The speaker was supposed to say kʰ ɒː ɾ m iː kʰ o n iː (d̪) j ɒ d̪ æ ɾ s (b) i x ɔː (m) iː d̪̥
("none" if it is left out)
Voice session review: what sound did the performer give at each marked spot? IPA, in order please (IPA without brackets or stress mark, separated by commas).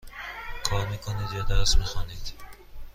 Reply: d̪, m, n